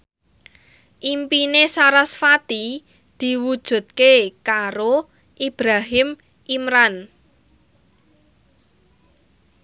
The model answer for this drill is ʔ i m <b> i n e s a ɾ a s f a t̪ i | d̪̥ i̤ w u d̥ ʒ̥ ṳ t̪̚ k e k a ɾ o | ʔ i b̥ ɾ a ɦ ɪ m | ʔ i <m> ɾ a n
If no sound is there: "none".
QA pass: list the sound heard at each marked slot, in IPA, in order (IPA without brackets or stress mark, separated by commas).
p, m